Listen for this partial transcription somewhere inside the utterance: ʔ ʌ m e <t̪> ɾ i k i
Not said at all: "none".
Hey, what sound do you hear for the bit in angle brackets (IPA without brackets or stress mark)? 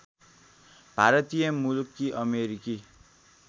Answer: none